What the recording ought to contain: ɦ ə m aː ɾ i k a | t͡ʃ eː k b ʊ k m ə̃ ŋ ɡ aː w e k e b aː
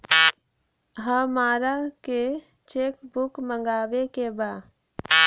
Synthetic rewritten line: ɦ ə m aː ɾ a k e | t͡ʃ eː k b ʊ k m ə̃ ŋ ɡ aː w e k e b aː